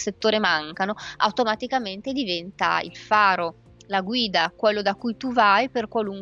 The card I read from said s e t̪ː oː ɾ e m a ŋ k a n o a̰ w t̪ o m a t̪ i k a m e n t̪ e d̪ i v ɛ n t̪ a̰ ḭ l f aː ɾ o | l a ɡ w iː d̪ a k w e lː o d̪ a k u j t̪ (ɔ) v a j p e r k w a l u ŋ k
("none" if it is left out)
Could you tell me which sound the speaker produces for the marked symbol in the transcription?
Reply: u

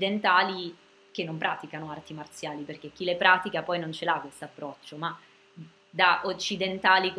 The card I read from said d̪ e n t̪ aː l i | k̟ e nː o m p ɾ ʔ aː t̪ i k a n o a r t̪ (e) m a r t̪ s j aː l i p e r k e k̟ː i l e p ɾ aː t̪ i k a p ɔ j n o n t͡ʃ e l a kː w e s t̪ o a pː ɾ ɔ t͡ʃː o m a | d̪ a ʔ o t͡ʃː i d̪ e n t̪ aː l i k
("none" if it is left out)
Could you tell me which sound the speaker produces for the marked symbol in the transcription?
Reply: i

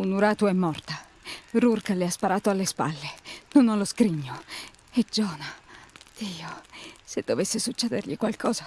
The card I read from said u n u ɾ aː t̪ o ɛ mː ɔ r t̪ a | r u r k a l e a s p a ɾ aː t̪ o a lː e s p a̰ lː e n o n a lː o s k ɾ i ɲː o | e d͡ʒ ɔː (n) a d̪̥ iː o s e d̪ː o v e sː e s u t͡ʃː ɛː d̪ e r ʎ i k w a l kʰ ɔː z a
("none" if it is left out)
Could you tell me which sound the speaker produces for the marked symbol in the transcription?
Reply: n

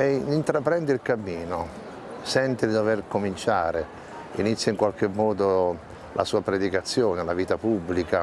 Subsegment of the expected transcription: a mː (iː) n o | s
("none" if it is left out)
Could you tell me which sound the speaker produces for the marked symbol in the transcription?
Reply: iː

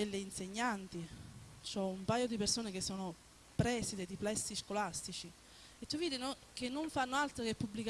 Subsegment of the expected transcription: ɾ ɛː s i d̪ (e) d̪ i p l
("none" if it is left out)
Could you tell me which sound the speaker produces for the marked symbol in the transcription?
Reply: e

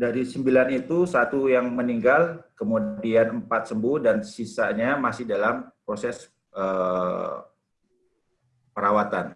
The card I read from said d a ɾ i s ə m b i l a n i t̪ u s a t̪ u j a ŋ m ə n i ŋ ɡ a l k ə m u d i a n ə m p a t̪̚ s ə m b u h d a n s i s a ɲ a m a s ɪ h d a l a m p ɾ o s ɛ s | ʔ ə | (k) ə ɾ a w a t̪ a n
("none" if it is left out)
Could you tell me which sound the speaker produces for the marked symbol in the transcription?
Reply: p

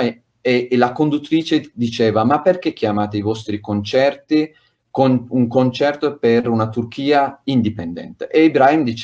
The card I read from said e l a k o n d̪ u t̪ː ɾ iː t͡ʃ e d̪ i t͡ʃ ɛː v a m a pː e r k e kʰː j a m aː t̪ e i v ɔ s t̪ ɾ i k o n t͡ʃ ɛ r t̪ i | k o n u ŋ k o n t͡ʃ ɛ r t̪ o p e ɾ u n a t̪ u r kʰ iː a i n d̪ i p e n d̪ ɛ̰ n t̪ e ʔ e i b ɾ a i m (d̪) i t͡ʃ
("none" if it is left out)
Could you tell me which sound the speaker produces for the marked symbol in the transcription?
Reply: d̪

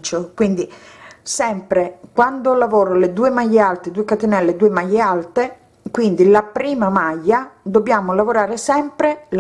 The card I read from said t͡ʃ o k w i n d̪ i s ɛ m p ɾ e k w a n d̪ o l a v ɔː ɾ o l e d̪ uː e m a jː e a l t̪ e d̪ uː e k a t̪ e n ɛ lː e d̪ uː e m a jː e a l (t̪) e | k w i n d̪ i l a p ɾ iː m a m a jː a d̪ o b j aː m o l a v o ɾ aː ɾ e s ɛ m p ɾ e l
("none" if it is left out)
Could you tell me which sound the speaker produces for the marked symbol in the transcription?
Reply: t̪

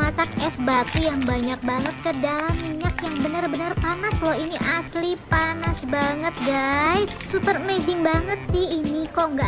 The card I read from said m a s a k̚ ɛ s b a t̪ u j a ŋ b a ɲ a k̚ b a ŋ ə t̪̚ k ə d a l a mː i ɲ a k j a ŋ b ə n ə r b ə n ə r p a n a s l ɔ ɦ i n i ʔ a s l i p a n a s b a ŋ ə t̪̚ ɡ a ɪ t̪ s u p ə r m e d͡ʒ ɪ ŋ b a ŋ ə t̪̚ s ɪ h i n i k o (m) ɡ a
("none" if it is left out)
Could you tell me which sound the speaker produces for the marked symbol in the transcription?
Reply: ŋ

